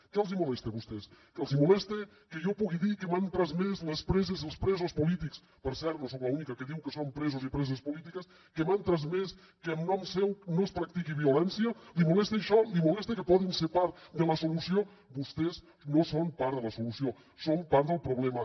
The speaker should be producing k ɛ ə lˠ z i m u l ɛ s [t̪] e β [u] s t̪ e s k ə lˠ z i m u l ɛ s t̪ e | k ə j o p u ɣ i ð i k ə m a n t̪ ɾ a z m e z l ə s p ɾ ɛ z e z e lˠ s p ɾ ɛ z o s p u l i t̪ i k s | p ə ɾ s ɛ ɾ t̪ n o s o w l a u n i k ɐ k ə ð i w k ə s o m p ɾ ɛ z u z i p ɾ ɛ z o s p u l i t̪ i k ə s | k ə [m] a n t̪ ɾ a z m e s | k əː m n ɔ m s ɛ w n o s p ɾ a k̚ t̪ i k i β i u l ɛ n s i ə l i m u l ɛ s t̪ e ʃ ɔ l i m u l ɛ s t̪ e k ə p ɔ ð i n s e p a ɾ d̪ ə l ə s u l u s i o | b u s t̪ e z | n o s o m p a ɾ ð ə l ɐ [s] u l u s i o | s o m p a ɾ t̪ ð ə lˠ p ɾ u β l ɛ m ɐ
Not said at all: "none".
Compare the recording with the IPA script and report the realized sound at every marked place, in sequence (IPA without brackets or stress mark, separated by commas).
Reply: t̪, u, m, s